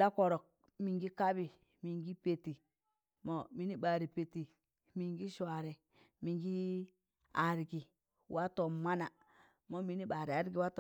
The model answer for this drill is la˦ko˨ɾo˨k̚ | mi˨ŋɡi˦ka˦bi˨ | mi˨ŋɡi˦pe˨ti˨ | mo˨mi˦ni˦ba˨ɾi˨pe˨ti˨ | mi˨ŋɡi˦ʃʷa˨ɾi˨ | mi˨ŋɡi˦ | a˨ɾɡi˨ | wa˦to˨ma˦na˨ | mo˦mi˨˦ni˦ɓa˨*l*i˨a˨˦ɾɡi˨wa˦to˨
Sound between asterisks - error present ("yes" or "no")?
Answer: yes